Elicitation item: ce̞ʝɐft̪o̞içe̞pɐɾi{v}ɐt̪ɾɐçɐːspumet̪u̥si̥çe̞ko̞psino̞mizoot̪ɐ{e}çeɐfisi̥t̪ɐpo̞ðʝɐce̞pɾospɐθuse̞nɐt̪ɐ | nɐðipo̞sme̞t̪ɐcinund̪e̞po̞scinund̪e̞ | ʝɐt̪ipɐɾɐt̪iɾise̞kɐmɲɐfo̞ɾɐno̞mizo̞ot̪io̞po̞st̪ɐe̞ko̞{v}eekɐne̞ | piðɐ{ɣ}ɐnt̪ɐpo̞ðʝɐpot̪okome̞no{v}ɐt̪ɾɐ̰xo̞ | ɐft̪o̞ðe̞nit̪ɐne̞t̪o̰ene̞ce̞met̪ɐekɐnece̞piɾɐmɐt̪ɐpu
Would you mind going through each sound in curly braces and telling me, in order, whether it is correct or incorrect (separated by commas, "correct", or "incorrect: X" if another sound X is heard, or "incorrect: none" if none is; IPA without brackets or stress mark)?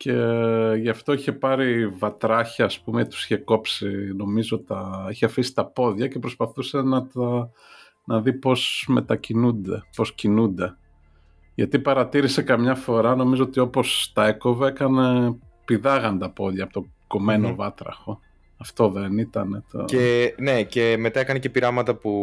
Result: correct, incorrect: i, correct, correct, correct